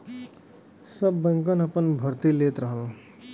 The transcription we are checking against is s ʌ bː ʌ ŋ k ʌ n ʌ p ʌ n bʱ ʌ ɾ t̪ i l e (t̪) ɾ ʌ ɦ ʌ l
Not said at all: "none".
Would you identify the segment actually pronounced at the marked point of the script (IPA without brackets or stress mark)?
t̪